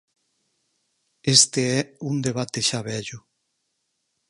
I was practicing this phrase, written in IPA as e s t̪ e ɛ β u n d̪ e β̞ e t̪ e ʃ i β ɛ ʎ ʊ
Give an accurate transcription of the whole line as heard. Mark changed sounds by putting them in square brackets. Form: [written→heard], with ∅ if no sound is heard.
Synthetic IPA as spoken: e s t̪ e ɛ [β→∅] u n d̪ e β̞ [e→a] t̪ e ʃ [i→a] β ɛ ʎ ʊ